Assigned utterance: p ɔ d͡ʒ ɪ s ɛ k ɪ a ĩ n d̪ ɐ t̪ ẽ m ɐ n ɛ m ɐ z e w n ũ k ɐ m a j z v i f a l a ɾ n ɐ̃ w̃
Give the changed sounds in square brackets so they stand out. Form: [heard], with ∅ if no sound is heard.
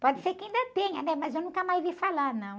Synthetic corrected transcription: p ɔ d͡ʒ ɪ s [e] k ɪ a ĩ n d̪ ɐ t̪ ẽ [ɲ] ɐ n ɛ m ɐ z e w n ũ k ɐ m a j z v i f a l a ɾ n ɐ̃ w̃